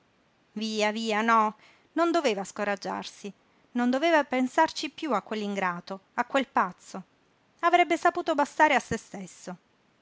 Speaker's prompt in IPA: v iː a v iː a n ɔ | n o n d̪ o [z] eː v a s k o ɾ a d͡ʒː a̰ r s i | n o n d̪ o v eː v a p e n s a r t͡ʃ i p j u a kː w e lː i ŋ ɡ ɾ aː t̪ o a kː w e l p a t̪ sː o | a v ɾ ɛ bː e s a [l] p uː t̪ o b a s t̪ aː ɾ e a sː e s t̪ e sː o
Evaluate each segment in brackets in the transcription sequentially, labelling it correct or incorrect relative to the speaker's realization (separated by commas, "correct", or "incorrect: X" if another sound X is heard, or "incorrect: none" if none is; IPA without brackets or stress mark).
incorrect: v, incorrect: none